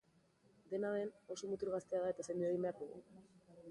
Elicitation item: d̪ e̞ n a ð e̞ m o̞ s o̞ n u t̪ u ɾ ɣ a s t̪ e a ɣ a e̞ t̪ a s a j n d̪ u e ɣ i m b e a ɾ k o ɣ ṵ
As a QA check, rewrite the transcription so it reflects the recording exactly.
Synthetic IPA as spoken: d̪ e̞ n a ð e̞ n o̞ s o̞ m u t̪ u ɾ ɣ a s t̪ e a ð a e̞ t̪ a s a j n d̪ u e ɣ i m b e a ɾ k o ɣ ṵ